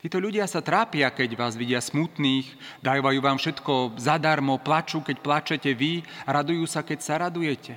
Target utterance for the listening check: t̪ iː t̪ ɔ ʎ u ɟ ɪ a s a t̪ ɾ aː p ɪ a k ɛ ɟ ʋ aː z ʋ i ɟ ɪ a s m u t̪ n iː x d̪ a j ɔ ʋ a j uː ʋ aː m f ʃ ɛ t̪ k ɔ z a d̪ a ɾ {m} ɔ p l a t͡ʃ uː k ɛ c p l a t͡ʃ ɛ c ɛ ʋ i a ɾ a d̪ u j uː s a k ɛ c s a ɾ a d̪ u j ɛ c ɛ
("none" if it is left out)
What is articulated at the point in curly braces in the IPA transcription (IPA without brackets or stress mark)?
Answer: m